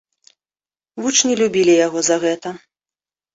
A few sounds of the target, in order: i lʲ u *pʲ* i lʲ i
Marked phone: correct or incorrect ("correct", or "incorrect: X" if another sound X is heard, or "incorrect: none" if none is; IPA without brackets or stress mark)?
incorrect: bʲ